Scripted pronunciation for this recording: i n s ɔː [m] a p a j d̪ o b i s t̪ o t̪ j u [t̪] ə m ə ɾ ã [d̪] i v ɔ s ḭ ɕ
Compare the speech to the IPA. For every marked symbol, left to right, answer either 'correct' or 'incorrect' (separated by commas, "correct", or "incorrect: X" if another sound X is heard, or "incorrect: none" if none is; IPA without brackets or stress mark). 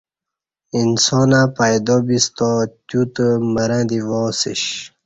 incorrect: n, correct, correct